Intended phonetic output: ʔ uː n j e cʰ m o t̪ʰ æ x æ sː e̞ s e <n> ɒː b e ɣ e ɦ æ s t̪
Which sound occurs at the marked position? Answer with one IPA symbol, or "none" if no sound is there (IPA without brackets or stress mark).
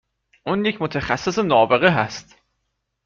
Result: n